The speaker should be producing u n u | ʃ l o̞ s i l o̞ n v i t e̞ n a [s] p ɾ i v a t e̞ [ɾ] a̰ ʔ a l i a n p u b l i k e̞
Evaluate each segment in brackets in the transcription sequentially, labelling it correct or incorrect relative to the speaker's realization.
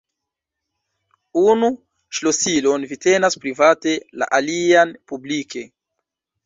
correct, incorrect: l

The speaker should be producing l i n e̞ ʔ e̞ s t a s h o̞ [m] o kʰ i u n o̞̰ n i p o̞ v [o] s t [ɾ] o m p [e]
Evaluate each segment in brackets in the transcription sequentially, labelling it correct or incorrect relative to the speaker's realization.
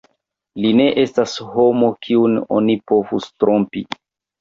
correct, incorrect: u, correct, incorrect: i

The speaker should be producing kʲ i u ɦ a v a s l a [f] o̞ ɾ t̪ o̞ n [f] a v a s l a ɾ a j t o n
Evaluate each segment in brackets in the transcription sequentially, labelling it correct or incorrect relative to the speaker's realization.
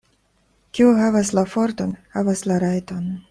correct, incorrect: h

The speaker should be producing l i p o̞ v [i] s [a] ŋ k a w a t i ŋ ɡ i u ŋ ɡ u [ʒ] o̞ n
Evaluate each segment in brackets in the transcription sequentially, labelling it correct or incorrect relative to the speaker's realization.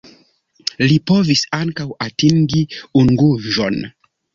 correct, correct, correct

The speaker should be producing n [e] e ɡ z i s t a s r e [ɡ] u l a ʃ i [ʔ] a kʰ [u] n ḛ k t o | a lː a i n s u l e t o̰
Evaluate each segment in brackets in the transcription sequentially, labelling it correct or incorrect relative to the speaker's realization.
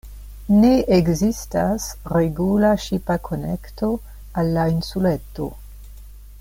correct, correct, incorrect: p, incorrect: o

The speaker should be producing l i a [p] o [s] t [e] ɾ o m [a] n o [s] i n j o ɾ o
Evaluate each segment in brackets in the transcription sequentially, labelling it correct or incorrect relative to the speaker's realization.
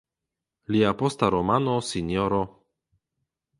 correct, correct, incorrect: a, correct, correct

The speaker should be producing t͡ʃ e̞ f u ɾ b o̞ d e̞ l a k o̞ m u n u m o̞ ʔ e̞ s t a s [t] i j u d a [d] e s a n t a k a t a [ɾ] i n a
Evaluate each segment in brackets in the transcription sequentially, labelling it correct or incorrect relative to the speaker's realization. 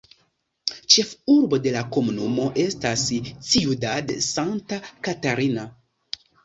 incorrect: t͡s, correct, correct

